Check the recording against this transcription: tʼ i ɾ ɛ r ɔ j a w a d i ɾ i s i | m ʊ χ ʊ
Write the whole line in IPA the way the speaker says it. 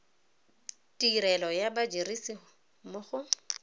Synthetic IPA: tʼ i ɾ ɛ l ɔ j a b a d͡ʒ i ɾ i s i | m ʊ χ ʊ

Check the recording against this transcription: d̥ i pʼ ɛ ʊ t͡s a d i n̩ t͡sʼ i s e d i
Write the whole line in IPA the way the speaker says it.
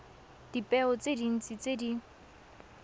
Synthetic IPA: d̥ i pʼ ɛ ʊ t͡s e d i n̩ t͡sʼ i t͡s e d i

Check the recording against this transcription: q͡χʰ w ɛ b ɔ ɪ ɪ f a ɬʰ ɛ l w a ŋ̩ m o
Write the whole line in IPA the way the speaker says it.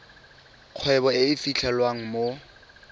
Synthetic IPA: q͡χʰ w ɛ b ɔ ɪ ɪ f i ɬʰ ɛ l w a ŋ̩ m o

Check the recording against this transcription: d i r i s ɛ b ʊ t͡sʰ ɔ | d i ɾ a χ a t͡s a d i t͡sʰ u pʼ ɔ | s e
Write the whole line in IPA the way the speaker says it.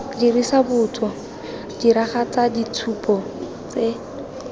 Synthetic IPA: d i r i s a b ʊ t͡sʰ ɔ | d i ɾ a χ a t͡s a d i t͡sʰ u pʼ ɔ | t͡s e

